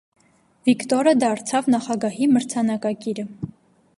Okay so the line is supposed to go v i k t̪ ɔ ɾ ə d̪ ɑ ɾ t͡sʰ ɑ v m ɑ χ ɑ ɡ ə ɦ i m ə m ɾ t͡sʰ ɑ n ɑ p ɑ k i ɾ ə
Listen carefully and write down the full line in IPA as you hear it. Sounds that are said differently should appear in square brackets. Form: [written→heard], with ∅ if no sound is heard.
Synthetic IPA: v i k t̪ ɔ ɾ ə d̪ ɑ ɾ t͡sʰ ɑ v [m→n] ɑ χ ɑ ɡ [ə→ɑ] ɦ i m ə [m→∅] ɾ t͡sʰ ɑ n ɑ [p→k] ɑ k i ɾ ə